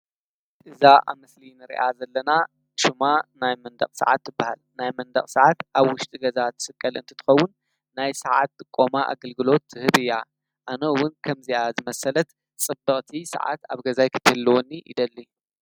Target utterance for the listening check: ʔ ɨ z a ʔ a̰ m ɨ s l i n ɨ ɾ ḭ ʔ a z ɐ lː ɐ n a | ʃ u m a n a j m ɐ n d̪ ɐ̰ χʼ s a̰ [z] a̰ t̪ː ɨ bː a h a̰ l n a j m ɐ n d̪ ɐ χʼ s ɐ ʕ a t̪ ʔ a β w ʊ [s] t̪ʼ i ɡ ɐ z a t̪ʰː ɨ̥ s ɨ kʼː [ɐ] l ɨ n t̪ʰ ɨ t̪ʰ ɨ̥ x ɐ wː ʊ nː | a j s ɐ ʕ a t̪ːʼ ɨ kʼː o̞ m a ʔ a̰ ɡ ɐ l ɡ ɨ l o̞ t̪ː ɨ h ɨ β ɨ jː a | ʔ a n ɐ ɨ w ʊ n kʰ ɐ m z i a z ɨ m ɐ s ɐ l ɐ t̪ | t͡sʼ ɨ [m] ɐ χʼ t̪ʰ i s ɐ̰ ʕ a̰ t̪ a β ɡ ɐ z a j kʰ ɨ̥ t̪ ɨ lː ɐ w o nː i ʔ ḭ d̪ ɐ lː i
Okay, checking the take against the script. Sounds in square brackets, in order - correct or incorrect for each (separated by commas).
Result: incorrect, incorrect, correct, incorrect